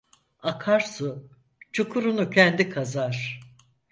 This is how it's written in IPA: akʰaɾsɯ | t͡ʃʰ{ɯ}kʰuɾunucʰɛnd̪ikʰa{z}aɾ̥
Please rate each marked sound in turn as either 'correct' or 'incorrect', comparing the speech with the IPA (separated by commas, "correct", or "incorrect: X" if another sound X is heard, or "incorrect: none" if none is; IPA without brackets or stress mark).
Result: incorrect: u, correct